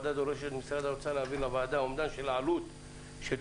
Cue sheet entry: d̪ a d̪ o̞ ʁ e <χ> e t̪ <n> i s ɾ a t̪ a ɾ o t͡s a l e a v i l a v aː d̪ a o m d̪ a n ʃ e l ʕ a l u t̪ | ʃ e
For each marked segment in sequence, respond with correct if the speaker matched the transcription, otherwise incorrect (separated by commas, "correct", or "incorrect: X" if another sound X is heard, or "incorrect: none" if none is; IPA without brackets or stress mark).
incorrect: ʃ, incorrect: m